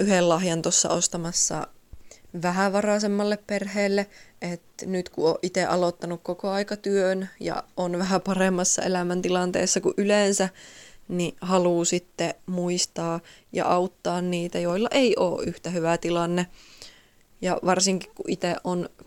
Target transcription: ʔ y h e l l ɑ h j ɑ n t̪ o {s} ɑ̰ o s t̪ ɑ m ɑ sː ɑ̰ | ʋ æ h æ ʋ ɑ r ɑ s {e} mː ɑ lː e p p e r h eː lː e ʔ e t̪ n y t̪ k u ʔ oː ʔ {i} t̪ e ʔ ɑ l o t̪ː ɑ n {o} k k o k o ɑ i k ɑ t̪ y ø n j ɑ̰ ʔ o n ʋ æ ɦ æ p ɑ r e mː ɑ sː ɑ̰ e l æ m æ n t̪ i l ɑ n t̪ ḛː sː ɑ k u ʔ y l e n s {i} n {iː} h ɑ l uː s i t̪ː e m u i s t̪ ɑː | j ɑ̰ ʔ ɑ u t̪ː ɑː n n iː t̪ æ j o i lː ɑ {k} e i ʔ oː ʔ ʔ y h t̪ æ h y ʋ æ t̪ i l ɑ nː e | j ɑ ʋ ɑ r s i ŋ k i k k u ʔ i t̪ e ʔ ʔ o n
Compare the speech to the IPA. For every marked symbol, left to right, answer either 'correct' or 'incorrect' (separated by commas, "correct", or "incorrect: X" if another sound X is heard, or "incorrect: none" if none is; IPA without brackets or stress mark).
incorrect: sː, correct, correct, incorrect: u, incorrect: æ, incorrect: i, incorrect: ʔ